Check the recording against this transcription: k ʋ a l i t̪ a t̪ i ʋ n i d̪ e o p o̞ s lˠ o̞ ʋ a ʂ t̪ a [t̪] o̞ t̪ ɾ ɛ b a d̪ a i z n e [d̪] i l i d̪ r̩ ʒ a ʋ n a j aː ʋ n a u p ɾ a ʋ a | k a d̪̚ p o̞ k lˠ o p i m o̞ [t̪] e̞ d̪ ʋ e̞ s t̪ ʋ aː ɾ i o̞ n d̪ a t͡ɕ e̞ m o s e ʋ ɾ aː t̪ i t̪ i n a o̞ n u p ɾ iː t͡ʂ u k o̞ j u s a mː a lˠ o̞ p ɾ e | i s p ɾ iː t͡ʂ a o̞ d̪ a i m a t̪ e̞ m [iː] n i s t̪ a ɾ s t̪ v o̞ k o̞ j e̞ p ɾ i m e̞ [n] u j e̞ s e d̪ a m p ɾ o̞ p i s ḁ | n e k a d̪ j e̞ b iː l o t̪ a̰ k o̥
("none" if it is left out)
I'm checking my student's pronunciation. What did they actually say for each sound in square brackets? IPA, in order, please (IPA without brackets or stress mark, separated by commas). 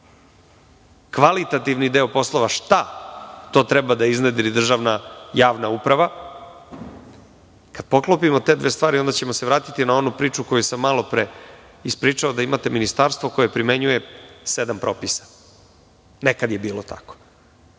t̪, d̪, t̪, i, ɲ